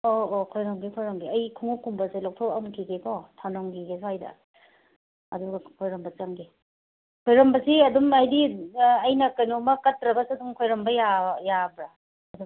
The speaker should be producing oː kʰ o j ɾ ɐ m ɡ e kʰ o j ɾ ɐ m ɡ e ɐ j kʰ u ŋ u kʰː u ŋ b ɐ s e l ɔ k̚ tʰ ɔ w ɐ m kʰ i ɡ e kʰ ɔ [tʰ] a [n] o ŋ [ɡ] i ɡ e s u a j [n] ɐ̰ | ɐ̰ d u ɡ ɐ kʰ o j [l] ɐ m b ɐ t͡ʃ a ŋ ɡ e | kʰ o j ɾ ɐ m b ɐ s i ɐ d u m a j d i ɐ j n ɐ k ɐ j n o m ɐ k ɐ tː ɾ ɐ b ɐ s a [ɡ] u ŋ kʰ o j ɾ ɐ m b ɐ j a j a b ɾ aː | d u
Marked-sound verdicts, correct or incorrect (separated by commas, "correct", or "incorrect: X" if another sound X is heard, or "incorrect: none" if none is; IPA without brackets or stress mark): correct, correct, correct, incorrect: d, incorrect: ɾ, incorrect: d